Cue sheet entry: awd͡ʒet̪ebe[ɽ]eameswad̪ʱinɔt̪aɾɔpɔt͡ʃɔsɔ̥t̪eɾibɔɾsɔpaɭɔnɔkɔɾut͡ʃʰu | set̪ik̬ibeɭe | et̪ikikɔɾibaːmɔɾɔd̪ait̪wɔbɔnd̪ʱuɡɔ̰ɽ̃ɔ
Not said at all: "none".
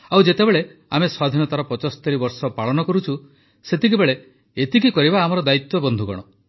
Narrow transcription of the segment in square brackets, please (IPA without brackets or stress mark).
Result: ɭ